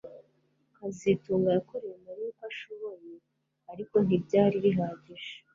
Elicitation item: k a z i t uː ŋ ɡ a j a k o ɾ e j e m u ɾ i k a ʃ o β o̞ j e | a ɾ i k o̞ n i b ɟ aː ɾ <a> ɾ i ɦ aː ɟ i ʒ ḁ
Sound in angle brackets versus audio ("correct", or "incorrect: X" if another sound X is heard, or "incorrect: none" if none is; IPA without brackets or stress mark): incorrect: i